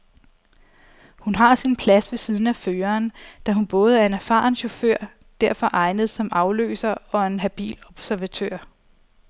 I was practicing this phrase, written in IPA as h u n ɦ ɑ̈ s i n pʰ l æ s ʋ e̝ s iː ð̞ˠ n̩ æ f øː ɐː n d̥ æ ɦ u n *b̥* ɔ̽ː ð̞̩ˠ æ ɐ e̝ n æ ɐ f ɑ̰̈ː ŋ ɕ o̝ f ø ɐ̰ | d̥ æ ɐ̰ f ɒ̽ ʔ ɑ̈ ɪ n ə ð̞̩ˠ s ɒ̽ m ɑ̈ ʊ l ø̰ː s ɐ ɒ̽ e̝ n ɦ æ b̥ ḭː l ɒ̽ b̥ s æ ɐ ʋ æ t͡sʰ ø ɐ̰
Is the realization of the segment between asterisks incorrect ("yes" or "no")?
no